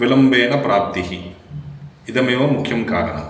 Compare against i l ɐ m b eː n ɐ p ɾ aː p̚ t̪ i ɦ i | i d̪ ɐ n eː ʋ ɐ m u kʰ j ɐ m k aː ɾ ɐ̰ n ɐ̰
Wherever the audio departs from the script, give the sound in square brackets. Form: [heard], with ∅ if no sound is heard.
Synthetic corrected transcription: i l ɐ m b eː n ɐ p ɾ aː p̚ t̪ i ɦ i | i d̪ ɐ [m] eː ʋ ɐ m u kʰ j ɐ m k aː ɾ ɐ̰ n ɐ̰